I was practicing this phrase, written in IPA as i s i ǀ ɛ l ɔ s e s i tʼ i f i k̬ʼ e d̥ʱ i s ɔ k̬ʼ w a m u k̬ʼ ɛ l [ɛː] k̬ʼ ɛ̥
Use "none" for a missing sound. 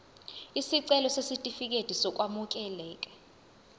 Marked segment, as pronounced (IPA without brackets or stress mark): ɛː